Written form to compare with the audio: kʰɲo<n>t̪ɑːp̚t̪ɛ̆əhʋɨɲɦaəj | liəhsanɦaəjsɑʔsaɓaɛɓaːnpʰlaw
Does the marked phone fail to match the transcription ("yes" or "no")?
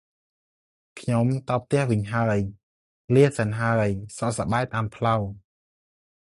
yes